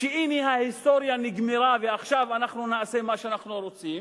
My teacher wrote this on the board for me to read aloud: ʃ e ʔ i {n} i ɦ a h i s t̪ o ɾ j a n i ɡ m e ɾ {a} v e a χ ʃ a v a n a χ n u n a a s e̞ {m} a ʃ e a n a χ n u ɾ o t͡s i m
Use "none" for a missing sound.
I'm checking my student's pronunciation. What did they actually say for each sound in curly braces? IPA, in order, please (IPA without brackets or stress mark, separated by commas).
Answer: n, a, m